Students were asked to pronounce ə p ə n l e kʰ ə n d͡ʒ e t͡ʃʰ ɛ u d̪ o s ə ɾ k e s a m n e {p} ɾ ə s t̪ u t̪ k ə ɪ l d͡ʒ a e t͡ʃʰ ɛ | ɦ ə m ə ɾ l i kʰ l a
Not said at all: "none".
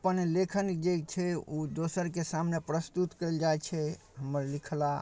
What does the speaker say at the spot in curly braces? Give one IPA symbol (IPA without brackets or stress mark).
p